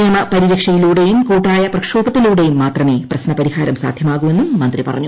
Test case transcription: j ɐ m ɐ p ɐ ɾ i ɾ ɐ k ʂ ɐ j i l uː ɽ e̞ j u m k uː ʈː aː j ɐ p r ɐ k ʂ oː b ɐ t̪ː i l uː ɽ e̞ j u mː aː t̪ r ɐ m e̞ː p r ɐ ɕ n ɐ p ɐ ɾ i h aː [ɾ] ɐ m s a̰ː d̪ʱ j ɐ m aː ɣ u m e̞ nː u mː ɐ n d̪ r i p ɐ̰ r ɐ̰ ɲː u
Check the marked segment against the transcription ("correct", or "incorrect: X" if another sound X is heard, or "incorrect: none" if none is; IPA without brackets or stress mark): correct